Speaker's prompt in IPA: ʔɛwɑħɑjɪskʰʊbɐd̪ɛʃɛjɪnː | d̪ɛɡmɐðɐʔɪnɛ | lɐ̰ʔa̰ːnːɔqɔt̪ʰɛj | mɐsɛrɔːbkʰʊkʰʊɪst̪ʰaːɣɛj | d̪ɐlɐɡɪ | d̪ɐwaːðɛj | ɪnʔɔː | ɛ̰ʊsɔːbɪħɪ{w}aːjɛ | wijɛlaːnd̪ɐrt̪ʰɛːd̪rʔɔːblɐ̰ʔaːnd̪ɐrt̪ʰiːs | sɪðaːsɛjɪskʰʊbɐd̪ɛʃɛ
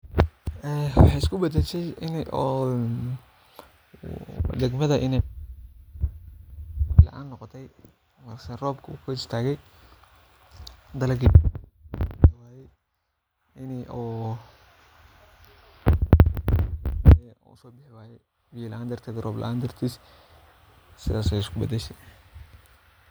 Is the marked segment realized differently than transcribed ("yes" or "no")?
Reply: no